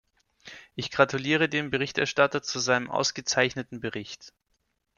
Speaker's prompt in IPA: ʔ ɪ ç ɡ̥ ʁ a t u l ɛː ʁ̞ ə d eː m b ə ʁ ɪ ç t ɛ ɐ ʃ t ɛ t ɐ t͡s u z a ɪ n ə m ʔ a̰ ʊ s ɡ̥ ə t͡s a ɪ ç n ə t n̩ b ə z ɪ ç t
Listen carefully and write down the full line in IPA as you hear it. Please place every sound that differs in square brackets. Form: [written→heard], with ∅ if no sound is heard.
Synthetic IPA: ʔ ɪ ç ɡ̥ ʁ a t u l [ɛː→iː] ʁ̞ ə d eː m b ə ʁ ɪ ç t ɛ ɐ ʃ t [ɛ→a] t ɐ t͡s u z a ɪ n ə m ʔ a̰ ʊ s ɡ̥ ə t͡s a ɪ ç n ə t n̩ b ə [z→ʁ] ɪ ç t

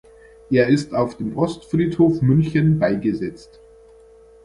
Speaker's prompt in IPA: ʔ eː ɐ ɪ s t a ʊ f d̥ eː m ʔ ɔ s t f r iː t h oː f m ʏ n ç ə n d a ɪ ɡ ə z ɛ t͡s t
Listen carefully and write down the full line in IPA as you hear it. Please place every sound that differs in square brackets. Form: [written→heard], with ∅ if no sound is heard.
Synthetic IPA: ʔ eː ɐ ɪ s t a ʊ f d̥ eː m ʔ ɔ s t f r iː t h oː f m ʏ n ç ə n [d→b] a ɪ ɡ ə z ɛ t͡s t

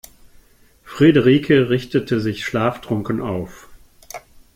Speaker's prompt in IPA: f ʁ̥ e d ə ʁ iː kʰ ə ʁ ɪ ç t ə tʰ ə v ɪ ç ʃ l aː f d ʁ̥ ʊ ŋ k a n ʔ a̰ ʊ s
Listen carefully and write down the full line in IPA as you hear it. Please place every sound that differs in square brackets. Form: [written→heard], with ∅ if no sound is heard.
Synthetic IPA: f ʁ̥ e d ə ʁ iː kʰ ə ʁ ɪ ç t ə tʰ ə [v→z] ɪ ç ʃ l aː f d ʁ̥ ʊ ŋ k [a→ə] n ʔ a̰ ʊ [s→f]

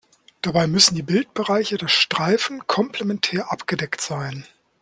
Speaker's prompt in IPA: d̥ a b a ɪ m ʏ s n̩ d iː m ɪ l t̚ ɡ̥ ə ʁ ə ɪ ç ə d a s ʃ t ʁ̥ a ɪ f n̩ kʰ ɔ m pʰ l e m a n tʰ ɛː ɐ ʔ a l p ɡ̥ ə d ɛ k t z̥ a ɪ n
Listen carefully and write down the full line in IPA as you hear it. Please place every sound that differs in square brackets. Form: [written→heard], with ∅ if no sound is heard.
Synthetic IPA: d̥ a b a ɪ m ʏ s n̩ d iː [m→b] ɪ l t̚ [ɡ̥→b̥] ə ʁ [ə→a] ɪ ç ə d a s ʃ t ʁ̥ a ɪ f n̩ kʰ ɔ m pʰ l e m [a→ɛ] n tʰ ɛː ɐ ʔ a [l→∅] p ɡ̥ ə d ɛ k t z̥ a ɪ n

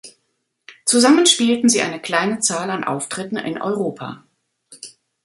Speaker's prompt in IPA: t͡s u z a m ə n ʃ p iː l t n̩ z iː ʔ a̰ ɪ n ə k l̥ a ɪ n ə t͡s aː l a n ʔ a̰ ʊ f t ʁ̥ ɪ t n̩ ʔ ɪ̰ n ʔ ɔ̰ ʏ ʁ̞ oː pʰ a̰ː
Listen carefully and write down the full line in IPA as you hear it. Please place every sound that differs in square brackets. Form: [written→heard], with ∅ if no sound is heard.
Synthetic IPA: t͡s u z a m ə n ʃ p iː l t n̩ z iː ʔ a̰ ɪ n ə k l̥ a ɪ n ə t͡s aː l a n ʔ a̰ ʊ f t ʁ̥ ɪ t n̩ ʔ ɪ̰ n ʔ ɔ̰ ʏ ʁ̞ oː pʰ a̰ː

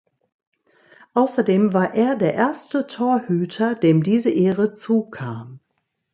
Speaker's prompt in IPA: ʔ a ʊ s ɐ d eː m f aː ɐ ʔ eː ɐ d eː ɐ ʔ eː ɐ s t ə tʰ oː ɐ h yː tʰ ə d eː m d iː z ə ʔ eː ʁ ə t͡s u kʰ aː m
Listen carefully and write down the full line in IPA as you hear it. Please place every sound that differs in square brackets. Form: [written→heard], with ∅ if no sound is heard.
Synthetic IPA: ʔ a ʊ s ɐ d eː m [f→v] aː ɐ ʔ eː ɐ d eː ɐ ʔ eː ɐ s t ə tʰ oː ɐ h yː tʰ [ə→ɐ] d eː m d iː z ə ʔ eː ʁ ə t͡s [u→uː] kʰ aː m

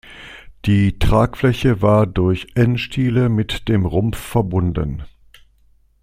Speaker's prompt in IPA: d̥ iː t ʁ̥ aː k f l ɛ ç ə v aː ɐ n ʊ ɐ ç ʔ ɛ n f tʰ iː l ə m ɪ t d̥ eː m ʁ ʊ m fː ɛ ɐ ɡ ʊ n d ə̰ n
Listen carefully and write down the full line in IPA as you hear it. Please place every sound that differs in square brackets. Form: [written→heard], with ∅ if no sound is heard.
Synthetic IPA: d̥ iː t ʁ̥ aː k f l ɛ ç ə v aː ɐ [n→d] ʊ ɐ ç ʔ ɛ n [f→ʃ] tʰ iː l ə m ɪ t d̥ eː m ʁ ʊ m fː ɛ ɐ [ɡ→b] ʊ n d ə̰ n

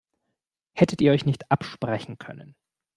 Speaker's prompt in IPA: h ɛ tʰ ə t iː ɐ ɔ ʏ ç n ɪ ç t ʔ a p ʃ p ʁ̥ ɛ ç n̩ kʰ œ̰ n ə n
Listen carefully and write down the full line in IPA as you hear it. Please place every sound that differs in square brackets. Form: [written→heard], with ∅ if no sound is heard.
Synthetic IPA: h ɛ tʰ ə t iː ɐ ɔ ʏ ç n ɪ ç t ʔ a p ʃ p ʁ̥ ɛ ç n̩ kʰ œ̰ n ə n

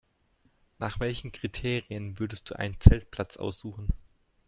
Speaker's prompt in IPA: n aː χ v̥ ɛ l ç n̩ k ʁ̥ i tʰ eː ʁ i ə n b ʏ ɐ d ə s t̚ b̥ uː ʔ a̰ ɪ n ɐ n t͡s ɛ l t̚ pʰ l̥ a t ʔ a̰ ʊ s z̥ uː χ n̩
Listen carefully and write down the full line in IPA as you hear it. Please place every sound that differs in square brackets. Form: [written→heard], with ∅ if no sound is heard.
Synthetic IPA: n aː χ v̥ ɛ l ç n̩ k ʁ̥ i tʰ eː ʁ i ə n [b→v] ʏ ɐ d ə s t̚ [b̥→d̥] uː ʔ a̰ ɪ n [ɐ→ə] n t͡s ɛ l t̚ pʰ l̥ a [t→t͡s] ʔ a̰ ʊ s z̥ uː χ n̩

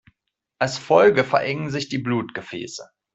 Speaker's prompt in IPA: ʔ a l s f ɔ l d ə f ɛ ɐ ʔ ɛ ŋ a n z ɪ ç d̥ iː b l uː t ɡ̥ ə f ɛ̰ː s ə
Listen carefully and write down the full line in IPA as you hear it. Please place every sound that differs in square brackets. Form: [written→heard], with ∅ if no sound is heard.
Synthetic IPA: ʔ a l s f ɔ l [d→ɡ] ə f ɛ ɐ ʔ ɛ ŋ [a→ə] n z ɪ ç d̥ iː b l uː t ɡ̥ ə f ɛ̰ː s ə

